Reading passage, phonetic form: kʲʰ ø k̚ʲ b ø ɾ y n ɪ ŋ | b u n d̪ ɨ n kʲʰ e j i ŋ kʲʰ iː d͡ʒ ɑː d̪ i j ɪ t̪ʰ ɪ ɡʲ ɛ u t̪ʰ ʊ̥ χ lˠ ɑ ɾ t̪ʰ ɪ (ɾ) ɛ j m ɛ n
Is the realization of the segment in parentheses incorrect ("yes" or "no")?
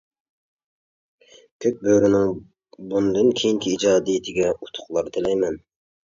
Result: yes